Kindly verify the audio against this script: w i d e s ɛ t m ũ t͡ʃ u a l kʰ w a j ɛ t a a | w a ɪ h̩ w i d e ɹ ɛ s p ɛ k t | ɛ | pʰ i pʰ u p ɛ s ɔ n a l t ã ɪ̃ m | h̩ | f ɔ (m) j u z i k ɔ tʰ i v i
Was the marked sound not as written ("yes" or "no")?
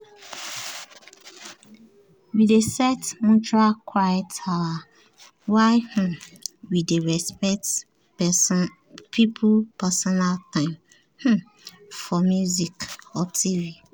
no